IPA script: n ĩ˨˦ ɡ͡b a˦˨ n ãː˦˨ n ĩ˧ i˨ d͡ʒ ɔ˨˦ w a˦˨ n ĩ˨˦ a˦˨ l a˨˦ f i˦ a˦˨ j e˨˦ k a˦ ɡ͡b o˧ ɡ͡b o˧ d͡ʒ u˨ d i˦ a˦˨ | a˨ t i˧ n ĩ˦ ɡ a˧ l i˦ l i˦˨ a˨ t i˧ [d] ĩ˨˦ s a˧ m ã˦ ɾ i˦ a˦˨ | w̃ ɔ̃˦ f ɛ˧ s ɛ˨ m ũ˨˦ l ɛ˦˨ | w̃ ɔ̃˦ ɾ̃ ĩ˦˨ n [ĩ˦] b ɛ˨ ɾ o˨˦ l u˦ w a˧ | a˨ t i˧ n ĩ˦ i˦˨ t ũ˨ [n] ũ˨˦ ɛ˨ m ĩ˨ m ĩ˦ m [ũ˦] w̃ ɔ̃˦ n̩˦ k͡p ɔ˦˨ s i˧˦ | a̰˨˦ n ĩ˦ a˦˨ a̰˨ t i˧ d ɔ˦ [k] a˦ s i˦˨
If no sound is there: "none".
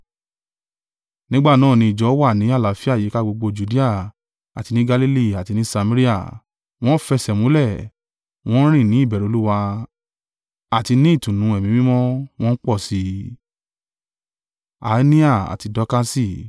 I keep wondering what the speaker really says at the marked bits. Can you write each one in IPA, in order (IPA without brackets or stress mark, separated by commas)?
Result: n, ĩ˨˦˨, n, ɔ̃˦, k